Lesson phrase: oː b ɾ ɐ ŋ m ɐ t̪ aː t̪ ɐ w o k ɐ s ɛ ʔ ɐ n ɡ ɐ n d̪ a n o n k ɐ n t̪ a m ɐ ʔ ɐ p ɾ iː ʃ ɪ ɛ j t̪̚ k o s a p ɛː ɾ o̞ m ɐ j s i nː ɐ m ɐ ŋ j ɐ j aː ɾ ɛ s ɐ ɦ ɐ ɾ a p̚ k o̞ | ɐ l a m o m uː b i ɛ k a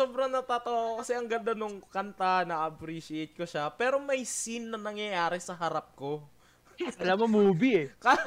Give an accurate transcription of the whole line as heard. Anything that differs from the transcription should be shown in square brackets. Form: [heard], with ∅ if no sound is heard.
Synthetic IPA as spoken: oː b ɾ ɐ ŋ [n] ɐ t̪ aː t̪ ɐ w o k ɐ s ɛ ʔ ɐ [ŋ] ɡ ɐ n d̪ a n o [ŋ] k ɐ n t̪ a [n] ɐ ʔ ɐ p ɾ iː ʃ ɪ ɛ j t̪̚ k o [ʃ] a p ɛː ɾ o̞ m ɐ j s i nː ɐ [n] ɐ ŋ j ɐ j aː ɾ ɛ s ɐ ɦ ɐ ɾ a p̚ k o̞ | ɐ l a m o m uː b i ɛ k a